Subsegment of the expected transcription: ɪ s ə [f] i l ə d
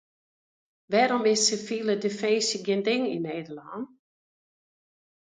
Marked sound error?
no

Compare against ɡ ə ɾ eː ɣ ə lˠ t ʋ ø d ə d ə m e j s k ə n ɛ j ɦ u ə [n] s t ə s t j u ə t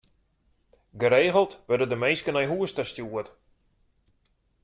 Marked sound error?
yes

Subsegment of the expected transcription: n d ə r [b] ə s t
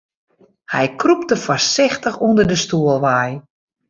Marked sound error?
yes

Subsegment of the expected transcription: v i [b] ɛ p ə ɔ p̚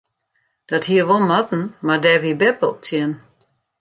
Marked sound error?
no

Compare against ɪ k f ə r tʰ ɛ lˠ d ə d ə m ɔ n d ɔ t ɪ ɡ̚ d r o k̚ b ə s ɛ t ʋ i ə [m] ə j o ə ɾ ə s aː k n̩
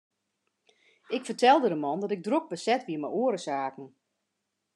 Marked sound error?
no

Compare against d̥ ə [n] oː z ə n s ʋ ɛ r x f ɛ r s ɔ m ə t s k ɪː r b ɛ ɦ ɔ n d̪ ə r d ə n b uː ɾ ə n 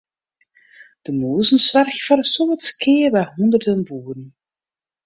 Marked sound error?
yes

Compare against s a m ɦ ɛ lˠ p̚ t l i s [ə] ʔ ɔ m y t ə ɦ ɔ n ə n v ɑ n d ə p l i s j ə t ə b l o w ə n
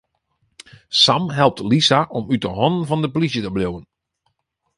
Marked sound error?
yes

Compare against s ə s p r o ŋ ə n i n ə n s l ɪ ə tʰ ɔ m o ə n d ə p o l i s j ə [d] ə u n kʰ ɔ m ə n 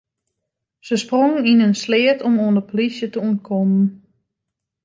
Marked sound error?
yes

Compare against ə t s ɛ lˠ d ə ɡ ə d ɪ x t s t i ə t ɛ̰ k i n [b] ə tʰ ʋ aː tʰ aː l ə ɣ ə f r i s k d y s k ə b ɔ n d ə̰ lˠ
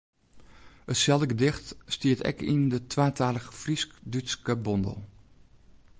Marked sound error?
yes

